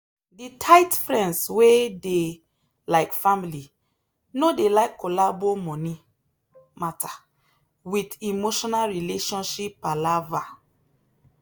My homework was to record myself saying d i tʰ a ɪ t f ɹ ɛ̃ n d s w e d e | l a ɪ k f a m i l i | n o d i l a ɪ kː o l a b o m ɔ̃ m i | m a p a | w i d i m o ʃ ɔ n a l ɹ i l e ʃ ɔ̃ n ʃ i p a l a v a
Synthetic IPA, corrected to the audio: d i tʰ a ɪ t f ɹ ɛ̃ n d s w e d e | l a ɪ k f a m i l i | n o d e l a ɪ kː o l a b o m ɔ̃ n i | m a t a | w i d i m o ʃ ɔ n a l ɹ i l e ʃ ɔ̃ n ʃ i p a l a v a